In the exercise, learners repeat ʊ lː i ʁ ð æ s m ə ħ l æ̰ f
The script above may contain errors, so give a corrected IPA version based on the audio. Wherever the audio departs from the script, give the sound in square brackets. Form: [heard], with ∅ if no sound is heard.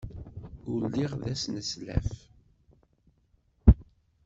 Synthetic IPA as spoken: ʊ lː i ʁ ð æ s [n] ə [s] l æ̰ f